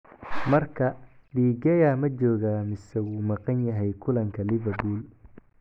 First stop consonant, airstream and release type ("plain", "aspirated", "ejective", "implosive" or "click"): aspirated